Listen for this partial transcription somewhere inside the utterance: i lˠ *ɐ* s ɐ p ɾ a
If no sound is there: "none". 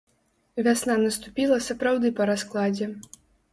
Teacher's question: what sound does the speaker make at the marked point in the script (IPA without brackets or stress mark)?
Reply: ɐ